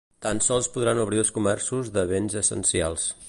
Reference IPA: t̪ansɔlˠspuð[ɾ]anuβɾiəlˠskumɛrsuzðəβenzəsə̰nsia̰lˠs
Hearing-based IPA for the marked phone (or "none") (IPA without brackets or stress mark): ɾ